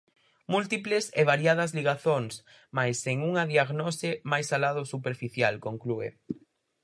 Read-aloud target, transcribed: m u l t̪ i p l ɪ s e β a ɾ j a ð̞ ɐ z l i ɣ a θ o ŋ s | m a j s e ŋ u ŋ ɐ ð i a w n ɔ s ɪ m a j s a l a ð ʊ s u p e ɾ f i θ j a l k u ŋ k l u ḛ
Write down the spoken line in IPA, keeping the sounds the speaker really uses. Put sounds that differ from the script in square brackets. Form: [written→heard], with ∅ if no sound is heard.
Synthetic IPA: m u l t̪ i p l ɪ s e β a ɾ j a ð̞ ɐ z l i ɣ a θ o ŋ s | m a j s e ŋ u ŋ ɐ ð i a [w→ɣ] n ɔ s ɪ m a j s a l a ð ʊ s u p e ɾ f i θ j a l k [u→o] ŋ k l u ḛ